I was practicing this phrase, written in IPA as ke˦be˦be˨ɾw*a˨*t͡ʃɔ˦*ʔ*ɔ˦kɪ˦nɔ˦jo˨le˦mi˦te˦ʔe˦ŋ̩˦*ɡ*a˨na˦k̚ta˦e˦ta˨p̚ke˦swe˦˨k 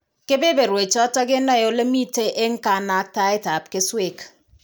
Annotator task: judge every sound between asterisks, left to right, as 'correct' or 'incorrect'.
incorrect, incorrect, incorrect

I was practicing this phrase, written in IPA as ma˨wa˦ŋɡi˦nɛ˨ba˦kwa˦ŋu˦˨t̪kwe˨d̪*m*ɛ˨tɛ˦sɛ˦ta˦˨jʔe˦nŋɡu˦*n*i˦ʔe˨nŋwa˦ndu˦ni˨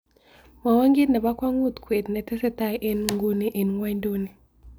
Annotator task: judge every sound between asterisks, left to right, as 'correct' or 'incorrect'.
incorrect, correct

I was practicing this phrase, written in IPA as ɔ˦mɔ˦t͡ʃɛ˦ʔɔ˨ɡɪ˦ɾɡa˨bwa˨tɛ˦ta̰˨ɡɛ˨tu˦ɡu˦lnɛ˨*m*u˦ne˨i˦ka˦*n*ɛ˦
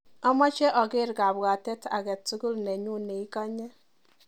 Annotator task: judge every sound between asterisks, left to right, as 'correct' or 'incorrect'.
incorrect, incorrect

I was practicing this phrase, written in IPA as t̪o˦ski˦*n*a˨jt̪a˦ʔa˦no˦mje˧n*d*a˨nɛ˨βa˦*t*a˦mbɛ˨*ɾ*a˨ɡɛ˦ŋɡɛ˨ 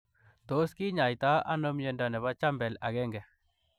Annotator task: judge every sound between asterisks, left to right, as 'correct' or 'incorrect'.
incorrect, correct, incorrect, incorrect

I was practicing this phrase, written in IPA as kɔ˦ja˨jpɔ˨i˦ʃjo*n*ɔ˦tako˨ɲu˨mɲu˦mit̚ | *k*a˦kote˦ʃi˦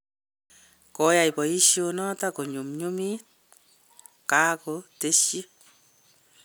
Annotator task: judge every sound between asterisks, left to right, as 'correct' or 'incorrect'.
correct, correct

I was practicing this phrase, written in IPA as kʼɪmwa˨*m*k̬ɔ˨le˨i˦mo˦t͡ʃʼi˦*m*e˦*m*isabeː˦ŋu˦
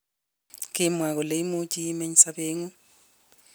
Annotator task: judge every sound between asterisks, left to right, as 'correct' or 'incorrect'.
incorrect, correct, incorrect

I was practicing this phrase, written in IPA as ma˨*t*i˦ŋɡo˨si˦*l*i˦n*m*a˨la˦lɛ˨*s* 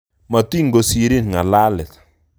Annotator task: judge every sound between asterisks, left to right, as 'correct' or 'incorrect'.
correct, incorrect, incorrect, incorrect

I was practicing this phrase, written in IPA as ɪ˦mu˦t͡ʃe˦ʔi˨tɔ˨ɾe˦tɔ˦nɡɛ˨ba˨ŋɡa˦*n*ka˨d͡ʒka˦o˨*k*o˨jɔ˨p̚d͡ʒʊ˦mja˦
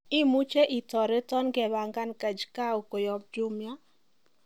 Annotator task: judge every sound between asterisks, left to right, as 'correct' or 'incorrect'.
correct, correct

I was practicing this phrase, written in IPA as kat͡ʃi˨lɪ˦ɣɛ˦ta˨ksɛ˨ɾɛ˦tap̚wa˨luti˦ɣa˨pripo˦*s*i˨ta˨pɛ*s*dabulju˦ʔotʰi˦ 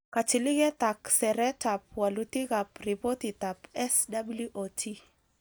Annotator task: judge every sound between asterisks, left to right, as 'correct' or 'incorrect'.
incorrect, correct

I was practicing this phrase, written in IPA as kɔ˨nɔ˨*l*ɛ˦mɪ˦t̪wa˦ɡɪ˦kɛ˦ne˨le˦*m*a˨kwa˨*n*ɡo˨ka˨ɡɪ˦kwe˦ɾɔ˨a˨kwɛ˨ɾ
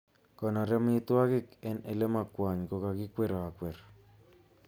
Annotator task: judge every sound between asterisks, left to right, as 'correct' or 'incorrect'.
incorrect, correct, incorrect

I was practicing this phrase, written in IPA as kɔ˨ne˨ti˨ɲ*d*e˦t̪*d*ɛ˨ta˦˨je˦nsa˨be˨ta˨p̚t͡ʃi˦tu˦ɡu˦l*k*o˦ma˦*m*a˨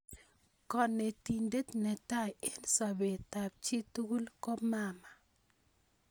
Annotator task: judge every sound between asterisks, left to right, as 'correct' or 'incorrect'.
correct, incorrect, correct, correct

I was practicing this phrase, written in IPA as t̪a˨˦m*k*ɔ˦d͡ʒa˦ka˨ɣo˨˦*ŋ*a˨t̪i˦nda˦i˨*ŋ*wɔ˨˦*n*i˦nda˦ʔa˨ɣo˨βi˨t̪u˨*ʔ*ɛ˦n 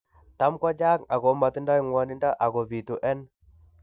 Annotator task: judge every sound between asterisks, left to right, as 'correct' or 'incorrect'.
correct, incorrect, correct, correct, correct

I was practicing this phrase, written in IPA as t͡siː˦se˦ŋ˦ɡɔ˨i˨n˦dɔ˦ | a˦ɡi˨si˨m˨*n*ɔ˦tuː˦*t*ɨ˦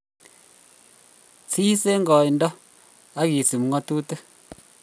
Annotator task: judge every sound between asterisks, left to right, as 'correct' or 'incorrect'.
incorrect, correct

